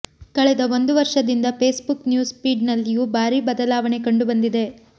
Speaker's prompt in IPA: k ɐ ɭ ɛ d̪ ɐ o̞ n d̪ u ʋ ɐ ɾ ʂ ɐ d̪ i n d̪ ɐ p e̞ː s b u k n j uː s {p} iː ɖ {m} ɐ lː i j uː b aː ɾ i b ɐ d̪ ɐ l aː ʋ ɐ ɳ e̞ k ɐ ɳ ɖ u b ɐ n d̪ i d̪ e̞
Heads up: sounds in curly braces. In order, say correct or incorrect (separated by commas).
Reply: correct, incorrect